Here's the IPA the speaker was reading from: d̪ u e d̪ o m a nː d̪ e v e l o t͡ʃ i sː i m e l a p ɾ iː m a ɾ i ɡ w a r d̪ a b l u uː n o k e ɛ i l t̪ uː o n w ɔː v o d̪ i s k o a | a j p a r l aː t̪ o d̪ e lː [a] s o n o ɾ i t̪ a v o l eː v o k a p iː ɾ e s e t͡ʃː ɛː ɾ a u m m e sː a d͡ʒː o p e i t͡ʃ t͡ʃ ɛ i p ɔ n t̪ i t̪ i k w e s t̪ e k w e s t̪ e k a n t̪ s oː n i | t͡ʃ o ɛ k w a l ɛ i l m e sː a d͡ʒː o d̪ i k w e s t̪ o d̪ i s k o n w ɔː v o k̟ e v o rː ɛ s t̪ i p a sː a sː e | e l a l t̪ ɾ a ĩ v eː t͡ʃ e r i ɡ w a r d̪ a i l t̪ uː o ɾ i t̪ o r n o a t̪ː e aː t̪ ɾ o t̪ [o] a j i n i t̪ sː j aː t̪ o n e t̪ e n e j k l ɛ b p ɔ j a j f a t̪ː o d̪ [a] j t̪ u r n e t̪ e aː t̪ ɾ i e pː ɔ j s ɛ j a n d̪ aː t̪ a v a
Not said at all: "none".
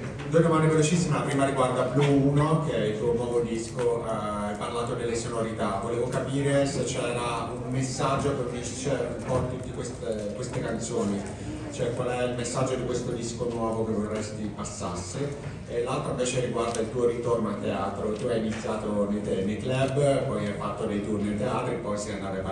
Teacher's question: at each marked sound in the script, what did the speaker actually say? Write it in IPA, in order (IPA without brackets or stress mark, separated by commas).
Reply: e, u, e